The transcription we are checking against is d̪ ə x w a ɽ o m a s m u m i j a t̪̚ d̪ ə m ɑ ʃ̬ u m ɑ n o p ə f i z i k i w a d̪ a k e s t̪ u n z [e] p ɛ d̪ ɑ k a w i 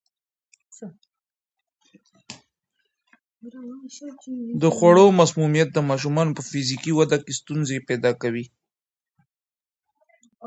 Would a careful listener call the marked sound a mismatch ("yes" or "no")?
no